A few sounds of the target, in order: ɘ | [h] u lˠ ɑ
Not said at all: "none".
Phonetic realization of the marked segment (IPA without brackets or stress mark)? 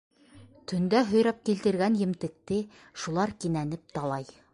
ʃ